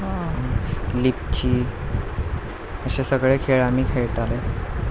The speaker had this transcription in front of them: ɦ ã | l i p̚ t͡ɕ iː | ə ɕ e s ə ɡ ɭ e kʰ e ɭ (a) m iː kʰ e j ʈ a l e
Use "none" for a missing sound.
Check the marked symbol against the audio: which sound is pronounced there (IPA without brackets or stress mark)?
a